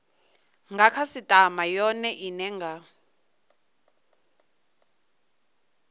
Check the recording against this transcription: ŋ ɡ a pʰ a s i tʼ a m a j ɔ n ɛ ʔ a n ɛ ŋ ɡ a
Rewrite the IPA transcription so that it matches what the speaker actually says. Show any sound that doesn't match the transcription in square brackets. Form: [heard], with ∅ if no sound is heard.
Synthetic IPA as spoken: ŋ ɡ a [kʰ] a s i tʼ a m a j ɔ n ɛ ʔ [i] n ɛ ŋ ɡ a